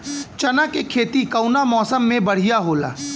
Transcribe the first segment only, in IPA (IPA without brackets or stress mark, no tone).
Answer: t͡ʃ